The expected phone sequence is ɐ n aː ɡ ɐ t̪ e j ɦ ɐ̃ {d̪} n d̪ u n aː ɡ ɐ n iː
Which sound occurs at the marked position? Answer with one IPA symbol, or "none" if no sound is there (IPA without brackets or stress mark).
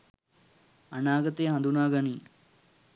none